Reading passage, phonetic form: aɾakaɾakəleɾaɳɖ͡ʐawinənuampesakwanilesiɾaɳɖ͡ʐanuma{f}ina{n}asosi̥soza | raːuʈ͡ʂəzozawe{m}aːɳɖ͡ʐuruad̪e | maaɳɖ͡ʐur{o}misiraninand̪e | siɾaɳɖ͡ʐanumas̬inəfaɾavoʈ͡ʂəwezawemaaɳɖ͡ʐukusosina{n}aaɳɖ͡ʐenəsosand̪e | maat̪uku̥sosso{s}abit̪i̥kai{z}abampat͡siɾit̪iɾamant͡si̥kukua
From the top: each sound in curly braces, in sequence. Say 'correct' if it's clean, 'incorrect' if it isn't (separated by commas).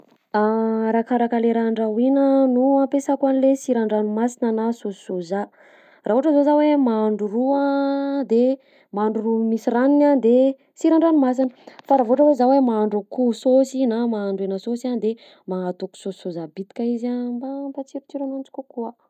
incorrect, correct, correct, incorrect, incorrect, incorrect, correct